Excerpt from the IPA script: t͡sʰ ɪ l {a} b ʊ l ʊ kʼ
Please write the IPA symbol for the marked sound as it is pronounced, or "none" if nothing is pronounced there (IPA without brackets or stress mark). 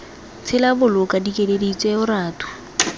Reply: a